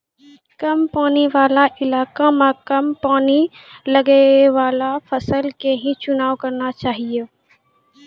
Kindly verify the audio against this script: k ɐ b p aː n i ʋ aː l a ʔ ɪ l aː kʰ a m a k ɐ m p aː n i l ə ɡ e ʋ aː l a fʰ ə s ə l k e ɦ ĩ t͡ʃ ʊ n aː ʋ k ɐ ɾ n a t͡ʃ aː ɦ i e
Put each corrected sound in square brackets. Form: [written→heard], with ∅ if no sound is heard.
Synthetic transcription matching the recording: k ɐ [b→m] p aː n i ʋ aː l a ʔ ɪ l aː [kʰ→k] a m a k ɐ m p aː n i l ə ɡ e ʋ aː l a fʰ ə s ə l k e ɦ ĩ t͡ʃ ʊ n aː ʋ k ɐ ɾ n a t͡ʃ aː ɦ i e